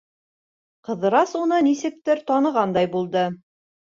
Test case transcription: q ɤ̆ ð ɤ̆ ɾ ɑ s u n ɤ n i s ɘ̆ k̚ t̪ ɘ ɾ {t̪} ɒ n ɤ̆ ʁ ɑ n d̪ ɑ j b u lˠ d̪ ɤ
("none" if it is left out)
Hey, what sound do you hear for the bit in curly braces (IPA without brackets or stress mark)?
t̪